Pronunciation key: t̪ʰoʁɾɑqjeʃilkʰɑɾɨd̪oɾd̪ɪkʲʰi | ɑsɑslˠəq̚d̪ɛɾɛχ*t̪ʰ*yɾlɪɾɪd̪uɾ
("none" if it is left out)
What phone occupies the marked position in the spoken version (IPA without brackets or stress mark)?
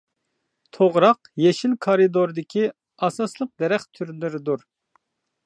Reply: t̪ʰ